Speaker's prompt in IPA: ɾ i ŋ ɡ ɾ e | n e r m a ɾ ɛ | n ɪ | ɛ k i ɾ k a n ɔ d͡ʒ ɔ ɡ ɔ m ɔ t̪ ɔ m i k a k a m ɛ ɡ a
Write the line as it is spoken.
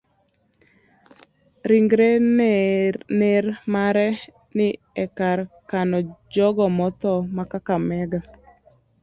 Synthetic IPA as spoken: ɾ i ŋ ɡ ɾ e | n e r m a ɾ ɛ | n ɪ | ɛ k a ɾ k a n ɔ d͡ʒ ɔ ɡ ɔ m ɔ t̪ ɔ m a k a k a m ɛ ɡ a